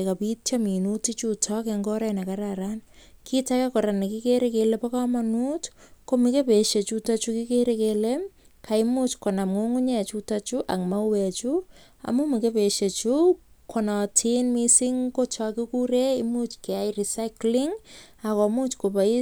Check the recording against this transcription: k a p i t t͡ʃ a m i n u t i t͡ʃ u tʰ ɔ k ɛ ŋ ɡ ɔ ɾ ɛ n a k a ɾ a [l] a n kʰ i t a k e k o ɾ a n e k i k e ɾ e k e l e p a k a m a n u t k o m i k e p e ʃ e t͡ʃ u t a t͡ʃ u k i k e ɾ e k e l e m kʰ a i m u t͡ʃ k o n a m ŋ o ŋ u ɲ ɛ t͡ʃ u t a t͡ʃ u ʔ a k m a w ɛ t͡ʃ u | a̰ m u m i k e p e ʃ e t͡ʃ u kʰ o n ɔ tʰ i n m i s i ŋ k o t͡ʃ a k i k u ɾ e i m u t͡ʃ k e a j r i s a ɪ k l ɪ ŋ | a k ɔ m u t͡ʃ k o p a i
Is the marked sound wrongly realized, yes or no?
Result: yes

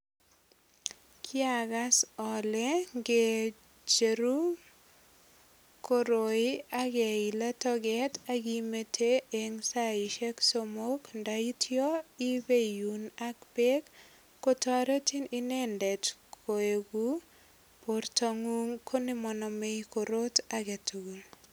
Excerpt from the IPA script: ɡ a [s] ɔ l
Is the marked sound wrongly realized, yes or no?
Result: no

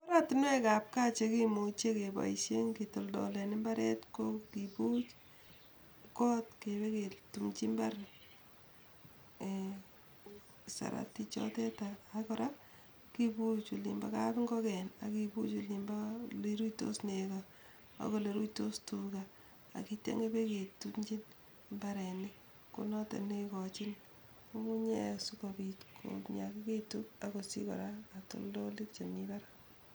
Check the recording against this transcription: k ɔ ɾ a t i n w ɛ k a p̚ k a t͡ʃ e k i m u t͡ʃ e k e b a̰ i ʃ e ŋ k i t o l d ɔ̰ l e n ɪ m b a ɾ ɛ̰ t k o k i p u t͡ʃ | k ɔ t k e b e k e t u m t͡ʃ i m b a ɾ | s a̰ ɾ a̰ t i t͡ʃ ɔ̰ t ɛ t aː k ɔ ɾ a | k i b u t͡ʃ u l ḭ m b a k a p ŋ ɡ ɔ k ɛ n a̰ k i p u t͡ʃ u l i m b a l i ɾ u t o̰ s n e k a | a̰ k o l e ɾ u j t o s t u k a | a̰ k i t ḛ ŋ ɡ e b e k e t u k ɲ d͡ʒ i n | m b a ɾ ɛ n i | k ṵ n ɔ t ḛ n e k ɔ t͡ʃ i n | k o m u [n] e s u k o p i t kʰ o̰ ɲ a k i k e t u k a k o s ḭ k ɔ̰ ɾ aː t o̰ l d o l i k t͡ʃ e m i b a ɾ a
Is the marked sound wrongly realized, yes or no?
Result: yes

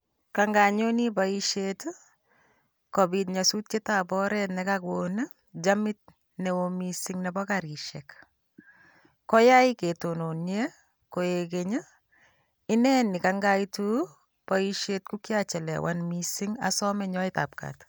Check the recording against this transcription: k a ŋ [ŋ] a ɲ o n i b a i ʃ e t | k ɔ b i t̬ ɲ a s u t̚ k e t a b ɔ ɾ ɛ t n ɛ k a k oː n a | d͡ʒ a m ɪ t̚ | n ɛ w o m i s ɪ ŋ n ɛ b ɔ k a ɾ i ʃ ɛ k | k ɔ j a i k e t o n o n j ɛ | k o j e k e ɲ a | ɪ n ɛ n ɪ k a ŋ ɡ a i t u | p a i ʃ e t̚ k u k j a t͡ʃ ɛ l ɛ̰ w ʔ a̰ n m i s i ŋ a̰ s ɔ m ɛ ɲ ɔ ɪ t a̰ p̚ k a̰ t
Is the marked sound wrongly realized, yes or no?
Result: yes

